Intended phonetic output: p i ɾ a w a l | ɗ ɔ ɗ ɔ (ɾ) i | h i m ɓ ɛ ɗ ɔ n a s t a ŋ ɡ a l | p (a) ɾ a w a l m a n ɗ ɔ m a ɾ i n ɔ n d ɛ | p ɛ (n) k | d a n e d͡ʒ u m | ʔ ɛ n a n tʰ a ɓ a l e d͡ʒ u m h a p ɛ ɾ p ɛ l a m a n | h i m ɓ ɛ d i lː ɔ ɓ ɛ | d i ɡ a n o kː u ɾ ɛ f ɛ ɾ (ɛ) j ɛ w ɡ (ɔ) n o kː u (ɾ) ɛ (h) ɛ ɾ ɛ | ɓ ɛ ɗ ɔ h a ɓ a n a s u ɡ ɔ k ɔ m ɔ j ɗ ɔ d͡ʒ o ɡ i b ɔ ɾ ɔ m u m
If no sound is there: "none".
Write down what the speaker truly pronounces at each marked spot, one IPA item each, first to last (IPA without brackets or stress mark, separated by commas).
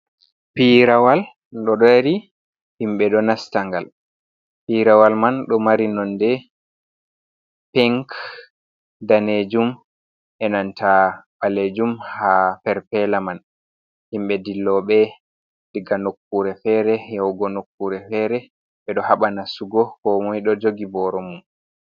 ɾ, i, ŋ, ɛ, ɔ, ɾ, f